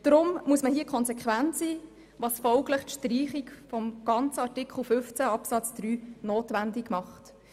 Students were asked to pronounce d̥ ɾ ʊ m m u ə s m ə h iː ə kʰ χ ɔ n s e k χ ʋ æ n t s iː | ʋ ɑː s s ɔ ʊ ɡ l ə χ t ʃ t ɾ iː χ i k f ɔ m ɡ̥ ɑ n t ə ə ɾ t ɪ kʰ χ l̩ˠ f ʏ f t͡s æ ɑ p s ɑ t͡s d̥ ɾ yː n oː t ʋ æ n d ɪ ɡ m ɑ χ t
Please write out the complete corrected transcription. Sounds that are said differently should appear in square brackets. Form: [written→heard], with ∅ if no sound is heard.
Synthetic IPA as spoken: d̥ ɾ ʊ m m u ə s m ə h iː ə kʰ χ ɔ n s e k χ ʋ æ n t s iː | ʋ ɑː s [s→f] ɔ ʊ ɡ l ə χ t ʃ t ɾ iː χ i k f ɔ m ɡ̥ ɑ n [t→t͡s] ə [ə→ɑ] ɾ t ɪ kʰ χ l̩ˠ f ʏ f t͡s æ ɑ p s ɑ t͡s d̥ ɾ yː n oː t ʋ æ n d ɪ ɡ m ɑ χ t